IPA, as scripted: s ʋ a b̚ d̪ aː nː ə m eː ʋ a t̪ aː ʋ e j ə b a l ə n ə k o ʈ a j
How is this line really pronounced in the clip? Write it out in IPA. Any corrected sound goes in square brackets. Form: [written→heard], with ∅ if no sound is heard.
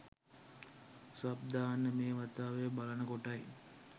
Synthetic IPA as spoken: s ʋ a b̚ d̪ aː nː ə m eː ʋ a t̪ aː ʋ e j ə b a l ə n ə k o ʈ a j